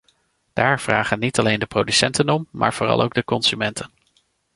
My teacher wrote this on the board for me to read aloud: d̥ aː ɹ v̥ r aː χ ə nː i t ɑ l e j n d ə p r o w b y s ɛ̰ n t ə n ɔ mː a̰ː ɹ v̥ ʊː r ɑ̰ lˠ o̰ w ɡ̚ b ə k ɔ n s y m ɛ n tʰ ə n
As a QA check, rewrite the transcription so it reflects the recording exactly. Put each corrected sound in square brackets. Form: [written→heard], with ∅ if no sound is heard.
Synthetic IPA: d̥ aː ɹ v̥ r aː χ ə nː i t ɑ l e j n d ə p r o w [b→d] y s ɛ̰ n t ə n ɔ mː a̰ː ɹ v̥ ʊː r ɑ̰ lˠ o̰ w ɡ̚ [b→d] ə k ɔ n s y m ɛ n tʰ ə n